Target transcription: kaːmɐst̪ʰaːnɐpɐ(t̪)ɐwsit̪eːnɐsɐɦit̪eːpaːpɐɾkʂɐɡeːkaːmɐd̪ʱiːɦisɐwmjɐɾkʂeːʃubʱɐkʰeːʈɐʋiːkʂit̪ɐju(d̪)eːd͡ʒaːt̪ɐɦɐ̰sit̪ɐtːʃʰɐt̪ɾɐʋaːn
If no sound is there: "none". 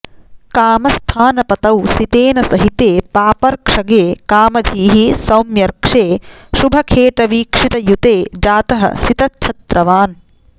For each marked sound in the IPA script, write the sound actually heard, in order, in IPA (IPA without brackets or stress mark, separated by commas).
t̪, t̪